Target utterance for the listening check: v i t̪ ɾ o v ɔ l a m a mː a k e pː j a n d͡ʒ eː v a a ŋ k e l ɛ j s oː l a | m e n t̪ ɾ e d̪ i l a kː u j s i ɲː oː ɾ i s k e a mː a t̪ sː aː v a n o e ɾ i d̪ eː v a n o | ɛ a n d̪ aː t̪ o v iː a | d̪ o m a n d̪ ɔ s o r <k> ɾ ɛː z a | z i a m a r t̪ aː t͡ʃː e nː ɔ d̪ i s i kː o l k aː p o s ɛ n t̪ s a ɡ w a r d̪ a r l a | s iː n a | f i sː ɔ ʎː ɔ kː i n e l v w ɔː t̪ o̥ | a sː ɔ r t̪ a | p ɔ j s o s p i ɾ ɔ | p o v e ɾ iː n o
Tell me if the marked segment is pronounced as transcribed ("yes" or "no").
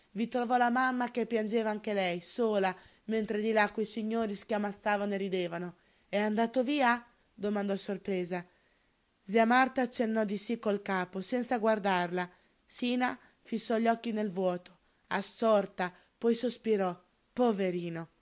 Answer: no